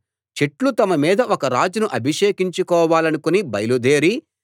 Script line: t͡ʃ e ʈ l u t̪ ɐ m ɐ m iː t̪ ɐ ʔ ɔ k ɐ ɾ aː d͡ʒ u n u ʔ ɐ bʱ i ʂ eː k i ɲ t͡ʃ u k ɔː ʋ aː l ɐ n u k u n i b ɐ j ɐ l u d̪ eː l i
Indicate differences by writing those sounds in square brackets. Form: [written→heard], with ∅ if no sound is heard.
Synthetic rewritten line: t͡ʃ e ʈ l u t̪ ɐ m ɐ m iː [t̪→d̪] ɐ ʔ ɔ k ɐ ɾ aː d͡ʒ u n u ʔ ɐ bʱ i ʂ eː k i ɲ t͡ʃ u k ɔː ʋ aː l ɐ n u k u n i b ɐ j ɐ l u d̪ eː [l→ɾ] i